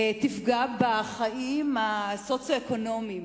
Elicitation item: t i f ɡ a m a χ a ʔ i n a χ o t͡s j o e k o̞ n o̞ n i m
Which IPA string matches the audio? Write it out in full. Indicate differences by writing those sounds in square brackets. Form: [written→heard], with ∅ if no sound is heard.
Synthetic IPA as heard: t i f ɡ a [m→b] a χ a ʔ i [n→m] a [χ→s] o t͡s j o e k o̞ n o̞ [n→m] i m